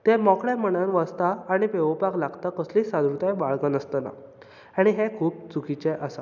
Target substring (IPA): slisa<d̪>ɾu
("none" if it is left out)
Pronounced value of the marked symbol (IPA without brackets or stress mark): d̪